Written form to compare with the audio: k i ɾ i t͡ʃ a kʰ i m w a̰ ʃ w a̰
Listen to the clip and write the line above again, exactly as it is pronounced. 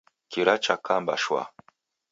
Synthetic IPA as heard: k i ɾ a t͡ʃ a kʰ a m b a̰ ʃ w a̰